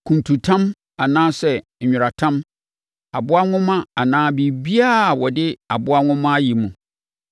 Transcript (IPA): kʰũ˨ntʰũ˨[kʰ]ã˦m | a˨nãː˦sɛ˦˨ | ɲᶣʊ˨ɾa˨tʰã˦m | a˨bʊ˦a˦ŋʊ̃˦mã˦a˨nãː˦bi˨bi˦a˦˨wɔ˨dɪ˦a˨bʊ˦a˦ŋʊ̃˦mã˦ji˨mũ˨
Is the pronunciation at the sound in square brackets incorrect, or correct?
incorrect